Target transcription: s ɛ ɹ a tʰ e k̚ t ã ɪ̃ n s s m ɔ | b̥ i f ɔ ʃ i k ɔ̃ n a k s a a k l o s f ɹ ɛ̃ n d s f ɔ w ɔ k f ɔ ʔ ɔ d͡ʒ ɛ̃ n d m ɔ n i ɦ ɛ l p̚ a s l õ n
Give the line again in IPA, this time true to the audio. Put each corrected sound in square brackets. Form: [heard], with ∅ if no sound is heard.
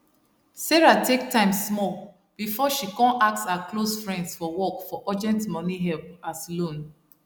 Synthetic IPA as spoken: s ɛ ɹ a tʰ e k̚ t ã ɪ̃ [m] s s m ɔ | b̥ i f ɔ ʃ i k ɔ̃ n a k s a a k l o s f ɹ ɛ̃ n d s f ɔ w ɔ k f ɔ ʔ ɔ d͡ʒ ɛ̃ n [t] m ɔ n i ɦ ɛ l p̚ a s l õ n